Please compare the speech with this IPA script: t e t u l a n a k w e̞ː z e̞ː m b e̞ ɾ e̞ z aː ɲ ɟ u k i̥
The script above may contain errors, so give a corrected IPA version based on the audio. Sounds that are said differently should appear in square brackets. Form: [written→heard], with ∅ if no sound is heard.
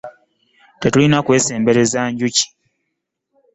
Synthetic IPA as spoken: t e t u l [a→i] n a k w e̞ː [z→s] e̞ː m b e̞ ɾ e̞ z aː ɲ ɟ u [k→c] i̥